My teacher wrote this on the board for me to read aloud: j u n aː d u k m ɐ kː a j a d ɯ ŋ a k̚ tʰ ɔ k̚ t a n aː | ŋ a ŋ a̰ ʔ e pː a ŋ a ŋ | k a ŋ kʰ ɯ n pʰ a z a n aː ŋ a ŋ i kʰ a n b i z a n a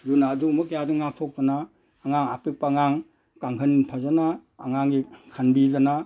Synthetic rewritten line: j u n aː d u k m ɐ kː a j a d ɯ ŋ a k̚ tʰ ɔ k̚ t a n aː | ŋ a ŋ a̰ p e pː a ŋ a ŋ | k a ŋ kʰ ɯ n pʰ a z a n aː ŋ a ŋ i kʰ a n b i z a n a